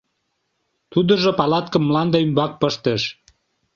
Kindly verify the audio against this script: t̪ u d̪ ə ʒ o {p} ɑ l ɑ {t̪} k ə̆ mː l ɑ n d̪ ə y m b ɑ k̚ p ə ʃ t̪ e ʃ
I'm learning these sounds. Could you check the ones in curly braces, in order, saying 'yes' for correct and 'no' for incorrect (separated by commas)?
yes, yes